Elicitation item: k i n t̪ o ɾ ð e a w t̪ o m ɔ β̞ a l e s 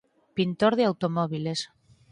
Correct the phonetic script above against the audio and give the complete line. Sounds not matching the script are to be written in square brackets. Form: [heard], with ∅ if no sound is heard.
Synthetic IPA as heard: [p] i n t̪ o ɾ ð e a w t̪ o m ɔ β̞ [i] l e s

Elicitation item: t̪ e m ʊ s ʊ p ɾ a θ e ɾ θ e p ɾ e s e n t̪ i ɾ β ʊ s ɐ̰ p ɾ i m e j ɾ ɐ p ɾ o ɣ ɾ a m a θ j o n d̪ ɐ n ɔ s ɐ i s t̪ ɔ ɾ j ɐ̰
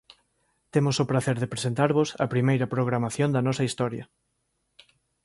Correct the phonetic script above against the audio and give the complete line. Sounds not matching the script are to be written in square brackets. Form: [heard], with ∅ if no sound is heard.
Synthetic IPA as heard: t̪ e m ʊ s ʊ p ɾ a θ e ɾ [ð] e p ɾ e s e n t̪ [a] ɾ β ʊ s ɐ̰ p ɾ i m e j ɾ ɐ p ɾ o ɣ ɾ a m a θ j o n d̪ ɐ n ɔ s ɐ i s t̪ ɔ ɾ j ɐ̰

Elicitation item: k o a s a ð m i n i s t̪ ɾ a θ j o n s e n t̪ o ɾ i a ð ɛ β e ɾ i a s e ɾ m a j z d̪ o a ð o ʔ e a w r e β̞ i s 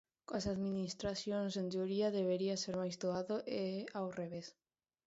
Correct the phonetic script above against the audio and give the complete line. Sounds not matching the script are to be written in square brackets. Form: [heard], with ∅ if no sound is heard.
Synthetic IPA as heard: k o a s a ð m i n i s t̪ ɾ a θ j o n s e n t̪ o ɾ i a ð [e] β e ɾ i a s e ɾ m a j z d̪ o a ð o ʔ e a w r e β̞ [e] s

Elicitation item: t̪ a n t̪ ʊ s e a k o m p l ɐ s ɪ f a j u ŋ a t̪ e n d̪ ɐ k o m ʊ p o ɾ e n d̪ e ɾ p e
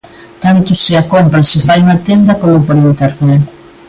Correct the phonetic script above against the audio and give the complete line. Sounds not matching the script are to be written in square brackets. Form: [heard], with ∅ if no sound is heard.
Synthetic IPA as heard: t̪ a n t̪ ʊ s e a k o m p [ɾ] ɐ s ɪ f a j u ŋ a t̪ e n d̪ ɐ k o m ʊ p o ɾ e n [t̪] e ɾ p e

